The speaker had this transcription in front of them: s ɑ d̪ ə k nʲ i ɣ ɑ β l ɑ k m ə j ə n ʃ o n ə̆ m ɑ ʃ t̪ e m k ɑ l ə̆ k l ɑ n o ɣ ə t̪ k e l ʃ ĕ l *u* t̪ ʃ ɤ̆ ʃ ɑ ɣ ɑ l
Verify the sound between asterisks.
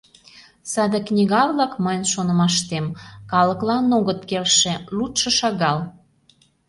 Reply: correct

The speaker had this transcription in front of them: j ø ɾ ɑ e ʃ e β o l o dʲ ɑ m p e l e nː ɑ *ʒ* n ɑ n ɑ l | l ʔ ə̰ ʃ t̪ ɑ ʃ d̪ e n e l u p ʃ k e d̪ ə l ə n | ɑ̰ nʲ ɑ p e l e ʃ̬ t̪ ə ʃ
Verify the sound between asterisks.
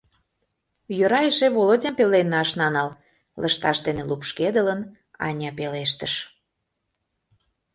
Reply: incorrect: ʃ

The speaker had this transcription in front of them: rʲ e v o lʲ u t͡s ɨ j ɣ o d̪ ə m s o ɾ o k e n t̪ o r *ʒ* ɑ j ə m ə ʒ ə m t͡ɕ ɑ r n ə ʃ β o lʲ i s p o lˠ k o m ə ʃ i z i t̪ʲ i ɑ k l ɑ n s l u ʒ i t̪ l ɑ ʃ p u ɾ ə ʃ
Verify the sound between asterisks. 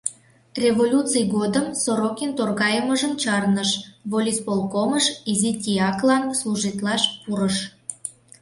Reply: incorrect: ɣ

